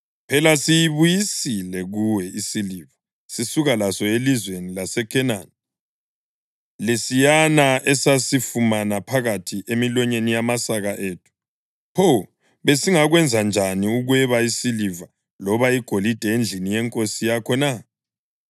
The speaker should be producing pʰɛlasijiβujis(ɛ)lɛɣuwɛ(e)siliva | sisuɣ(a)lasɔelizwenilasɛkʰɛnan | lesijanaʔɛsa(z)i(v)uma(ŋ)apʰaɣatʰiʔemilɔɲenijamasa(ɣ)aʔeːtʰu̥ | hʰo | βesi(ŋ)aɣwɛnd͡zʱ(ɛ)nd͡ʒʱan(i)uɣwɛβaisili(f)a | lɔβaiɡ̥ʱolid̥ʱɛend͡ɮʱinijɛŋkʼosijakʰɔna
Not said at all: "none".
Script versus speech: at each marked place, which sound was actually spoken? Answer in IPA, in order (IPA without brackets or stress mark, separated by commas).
i, i, a, s, f, n, ɣ, ŋ, a, i, v